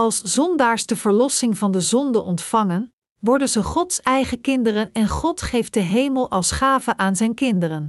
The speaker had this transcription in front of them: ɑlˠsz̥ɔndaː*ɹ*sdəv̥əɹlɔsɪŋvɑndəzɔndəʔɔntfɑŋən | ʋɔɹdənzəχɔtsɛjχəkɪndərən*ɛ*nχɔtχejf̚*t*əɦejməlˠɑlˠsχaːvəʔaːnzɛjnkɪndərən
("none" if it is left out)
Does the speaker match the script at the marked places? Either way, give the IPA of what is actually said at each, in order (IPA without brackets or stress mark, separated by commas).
ɹ, ɛ, d